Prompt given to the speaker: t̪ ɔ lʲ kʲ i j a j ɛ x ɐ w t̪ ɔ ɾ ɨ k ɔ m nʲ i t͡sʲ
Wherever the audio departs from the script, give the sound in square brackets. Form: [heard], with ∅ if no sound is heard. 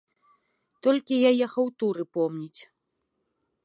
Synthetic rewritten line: t̪ ɔ lʲ kʲ i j a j ɛ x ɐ w t̪ [u] ɾ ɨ [p] ɔ m nʲ i t͡sʲ